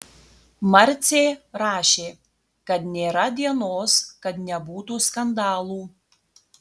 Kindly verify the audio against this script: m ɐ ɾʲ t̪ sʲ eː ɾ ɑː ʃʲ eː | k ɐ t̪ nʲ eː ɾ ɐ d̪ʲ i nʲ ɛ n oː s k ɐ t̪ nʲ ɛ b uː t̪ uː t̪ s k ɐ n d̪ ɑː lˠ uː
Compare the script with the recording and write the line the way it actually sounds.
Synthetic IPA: m ɐ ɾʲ t̪ sʲ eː ɾ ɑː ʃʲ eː | k ɐ t̪ nʲ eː ɾ ɐ d̪ʲ i ɛ n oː s k ɐ t̪ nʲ ɛ b uː t̪ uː s k ɐ n d̪ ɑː lˠ uː